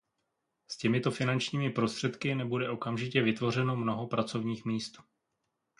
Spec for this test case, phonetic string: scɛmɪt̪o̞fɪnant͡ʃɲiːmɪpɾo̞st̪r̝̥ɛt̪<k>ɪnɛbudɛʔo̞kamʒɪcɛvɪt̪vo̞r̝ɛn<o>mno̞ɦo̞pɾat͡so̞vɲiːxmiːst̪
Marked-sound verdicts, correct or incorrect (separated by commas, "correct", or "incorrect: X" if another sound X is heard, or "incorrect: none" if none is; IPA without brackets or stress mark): correct, correct